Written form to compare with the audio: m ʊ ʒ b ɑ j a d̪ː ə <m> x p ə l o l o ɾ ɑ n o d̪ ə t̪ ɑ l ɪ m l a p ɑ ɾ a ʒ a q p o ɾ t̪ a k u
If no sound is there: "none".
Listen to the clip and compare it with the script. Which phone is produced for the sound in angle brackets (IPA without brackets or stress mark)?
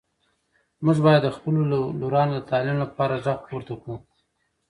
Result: none